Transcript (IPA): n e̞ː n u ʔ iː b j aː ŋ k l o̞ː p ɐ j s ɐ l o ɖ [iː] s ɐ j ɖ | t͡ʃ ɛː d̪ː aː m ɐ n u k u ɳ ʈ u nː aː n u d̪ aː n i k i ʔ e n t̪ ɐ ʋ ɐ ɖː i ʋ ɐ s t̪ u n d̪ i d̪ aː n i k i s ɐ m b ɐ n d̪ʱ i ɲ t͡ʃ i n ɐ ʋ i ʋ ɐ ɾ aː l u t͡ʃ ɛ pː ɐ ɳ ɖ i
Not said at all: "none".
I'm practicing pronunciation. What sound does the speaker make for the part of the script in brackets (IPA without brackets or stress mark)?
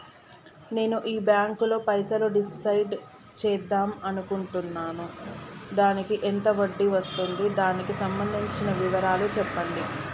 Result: i